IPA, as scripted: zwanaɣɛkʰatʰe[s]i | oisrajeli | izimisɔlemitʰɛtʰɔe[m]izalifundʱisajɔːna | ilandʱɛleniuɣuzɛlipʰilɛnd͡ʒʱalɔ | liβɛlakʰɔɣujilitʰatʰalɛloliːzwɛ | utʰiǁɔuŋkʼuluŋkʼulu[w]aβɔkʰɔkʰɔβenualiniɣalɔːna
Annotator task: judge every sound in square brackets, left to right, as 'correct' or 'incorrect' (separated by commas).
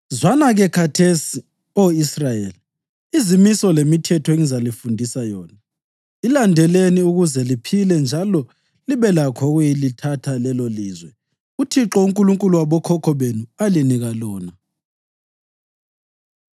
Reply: correct, incorrect, correct